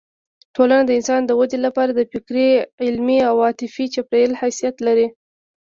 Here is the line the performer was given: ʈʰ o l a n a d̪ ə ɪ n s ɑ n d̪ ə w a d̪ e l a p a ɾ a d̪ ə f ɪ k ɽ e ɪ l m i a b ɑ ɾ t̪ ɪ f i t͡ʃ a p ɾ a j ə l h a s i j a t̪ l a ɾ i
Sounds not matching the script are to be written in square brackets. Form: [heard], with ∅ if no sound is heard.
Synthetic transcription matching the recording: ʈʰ o l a n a d̪ ə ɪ n s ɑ n d̪ ə w a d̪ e l a p [ɑ] ɾ a d̪ ə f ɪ k [ɾ] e ɪ l m i a [w] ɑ [∅] t̪ ɪ f i t͡ʃ a p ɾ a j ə l h a s i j a t̪ l a ɾ i